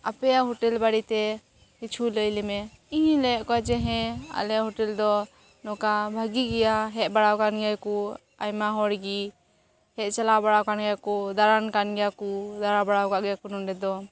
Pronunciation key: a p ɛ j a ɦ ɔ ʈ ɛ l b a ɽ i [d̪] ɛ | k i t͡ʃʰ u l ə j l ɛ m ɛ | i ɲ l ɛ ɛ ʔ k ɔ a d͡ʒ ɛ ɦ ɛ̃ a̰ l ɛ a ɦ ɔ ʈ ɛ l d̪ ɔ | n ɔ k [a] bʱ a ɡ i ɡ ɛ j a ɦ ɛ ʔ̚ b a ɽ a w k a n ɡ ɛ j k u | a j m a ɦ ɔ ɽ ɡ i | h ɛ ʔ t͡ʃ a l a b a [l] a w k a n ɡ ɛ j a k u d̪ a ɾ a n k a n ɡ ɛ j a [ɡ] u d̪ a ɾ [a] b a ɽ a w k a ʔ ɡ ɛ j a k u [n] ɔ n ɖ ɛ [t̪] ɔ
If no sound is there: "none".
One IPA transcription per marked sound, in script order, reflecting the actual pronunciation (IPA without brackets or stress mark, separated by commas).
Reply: t̪, a, ɽ, k, a, n, d̪